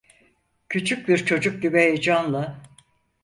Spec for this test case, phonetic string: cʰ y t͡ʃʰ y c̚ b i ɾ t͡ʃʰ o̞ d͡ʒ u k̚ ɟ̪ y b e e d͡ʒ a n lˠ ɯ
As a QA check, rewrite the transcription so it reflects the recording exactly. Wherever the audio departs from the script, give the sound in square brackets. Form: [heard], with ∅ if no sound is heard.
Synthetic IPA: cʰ y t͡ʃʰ y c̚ b i ɾ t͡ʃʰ o̞ d͡ʒ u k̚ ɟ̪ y b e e d͡ʒ a n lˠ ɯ